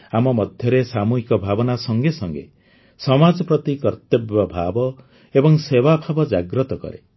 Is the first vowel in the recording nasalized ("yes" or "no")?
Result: no